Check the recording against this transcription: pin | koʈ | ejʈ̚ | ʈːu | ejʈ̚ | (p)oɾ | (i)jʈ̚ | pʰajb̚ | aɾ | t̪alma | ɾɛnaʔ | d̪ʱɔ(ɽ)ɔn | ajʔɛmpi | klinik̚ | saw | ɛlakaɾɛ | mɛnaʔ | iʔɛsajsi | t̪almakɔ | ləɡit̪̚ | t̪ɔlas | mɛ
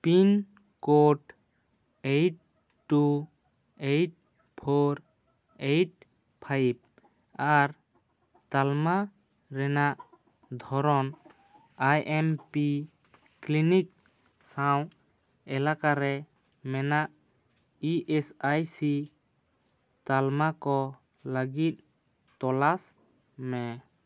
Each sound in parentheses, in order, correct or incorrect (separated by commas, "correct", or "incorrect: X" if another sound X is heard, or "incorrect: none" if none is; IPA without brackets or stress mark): incorrect: pʰ, incorrect: e, incorrect: ɾ